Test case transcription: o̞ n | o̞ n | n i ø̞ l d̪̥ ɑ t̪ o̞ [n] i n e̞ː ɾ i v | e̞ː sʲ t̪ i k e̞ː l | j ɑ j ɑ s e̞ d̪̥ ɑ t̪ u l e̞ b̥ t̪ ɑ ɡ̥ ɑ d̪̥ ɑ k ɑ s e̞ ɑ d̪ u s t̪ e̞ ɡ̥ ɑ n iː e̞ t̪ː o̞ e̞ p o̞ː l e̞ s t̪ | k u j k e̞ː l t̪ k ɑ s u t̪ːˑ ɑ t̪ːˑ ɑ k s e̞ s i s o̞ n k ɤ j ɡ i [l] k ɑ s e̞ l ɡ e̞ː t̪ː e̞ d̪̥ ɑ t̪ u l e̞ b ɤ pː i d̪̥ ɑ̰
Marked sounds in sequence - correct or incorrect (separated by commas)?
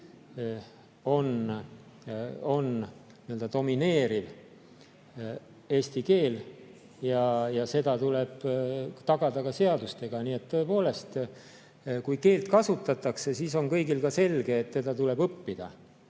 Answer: incorrect, correct